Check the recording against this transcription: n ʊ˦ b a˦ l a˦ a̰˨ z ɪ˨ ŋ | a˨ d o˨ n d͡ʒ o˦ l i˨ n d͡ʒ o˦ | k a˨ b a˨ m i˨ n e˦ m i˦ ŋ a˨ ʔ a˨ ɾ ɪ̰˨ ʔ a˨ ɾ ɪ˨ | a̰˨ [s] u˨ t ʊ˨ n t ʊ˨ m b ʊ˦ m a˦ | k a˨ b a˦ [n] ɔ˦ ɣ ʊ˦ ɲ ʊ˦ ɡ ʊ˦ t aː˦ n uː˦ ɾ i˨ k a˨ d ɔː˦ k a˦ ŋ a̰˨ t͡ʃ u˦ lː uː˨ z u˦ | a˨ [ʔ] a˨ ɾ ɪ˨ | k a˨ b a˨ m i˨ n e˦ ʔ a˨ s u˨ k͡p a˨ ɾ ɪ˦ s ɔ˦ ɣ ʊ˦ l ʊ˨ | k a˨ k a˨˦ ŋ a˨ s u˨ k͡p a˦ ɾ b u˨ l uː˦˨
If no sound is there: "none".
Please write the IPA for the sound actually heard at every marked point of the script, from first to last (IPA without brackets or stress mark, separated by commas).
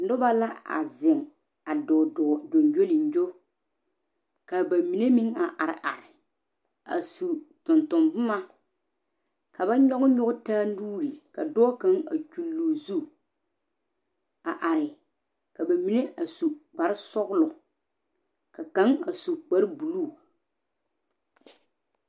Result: s, ɲ, ʔ